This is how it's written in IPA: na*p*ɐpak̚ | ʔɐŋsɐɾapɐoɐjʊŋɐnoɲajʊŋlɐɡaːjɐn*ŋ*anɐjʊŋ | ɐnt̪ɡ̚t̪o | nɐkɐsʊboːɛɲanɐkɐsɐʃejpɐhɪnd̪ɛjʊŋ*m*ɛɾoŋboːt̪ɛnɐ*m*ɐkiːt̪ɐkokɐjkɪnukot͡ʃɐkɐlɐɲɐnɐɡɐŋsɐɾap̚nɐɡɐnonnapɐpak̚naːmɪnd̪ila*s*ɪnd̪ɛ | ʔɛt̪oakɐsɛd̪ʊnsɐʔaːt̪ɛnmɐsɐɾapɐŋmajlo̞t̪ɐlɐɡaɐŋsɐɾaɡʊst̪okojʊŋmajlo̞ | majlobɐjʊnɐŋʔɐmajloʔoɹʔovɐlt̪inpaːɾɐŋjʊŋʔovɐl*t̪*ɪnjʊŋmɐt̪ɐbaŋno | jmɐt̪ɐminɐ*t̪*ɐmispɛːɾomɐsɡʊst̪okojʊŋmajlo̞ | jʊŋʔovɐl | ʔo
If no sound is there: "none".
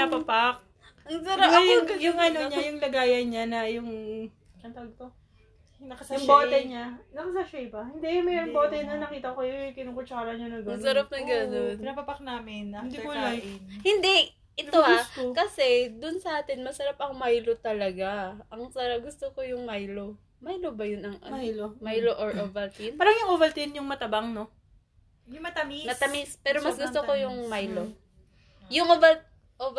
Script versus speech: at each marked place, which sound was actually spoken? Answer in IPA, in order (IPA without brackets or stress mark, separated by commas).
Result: p, ɲ, m, n, h, t̪, t̪